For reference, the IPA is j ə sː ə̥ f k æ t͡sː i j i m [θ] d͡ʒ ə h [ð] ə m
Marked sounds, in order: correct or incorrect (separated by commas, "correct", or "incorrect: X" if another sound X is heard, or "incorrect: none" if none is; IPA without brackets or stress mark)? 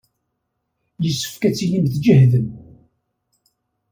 correct, correct